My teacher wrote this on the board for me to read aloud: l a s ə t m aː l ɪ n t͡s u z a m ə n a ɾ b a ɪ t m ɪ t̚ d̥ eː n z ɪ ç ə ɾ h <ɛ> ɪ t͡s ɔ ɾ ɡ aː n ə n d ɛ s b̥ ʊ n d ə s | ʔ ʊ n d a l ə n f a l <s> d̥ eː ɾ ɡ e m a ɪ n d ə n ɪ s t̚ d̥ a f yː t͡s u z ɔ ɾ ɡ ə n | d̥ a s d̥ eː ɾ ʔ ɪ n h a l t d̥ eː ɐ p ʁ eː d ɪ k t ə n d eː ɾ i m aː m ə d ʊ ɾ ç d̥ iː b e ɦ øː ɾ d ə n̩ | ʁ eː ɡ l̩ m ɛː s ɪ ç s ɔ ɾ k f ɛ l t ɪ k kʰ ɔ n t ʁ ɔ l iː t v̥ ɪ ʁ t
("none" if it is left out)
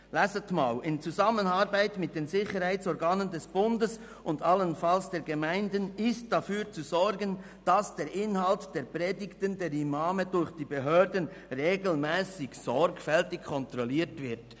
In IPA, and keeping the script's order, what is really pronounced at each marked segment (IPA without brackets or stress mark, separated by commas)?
a, s